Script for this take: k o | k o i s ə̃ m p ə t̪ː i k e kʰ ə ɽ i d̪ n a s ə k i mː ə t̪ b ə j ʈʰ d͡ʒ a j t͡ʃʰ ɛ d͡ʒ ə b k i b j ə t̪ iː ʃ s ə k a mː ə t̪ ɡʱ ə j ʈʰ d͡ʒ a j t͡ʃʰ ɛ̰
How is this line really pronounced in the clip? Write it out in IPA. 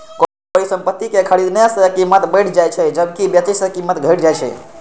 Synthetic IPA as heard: k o | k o i s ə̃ m p ə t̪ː i k e kʰ ə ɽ i d̪ n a s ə k i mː ə t̪ b ə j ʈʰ d͡ʒ a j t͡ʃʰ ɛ d͡ʒ ə b k i b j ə t̪ i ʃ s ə k i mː ə t̪ ɡʱ ə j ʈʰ d͡ʒ a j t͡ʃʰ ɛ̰